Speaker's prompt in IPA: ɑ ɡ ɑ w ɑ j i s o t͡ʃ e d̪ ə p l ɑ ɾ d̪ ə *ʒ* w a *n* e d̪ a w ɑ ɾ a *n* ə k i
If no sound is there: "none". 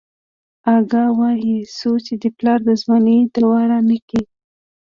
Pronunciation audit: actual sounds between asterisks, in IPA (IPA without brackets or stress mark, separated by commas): z, n, n